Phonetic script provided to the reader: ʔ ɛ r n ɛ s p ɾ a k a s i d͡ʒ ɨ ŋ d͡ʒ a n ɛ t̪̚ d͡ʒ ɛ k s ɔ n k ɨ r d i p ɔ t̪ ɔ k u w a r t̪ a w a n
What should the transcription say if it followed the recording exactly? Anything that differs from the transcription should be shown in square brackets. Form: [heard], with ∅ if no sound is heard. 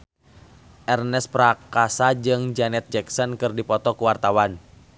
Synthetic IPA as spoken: ʔ ɛ r n ɛ s p ɾ a k a s [a] d͡ʒ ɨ ŋ d͡ʒ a n ɛ t̪̚ d͡ʒ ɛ k s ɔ n k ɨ r d i p ɔ t̪ ɔ k u w a r t̪ a w a n